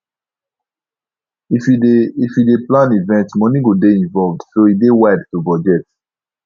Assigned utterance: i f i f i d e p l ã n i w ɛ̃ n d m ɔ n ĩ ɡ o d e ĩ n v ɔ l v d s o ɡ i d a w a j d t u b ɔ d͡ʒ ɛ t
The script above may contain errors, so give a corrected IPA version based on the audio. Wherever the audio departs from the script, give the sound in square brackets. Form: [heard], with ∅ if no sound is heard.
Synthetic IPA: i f i f i d e p l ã n i [v] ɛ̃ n [t] m ɔ n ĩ ɡ o d e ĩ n v ɔ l v d s o [∅] i d [e] w a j d t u b ɔ d͡ʒ ɛ t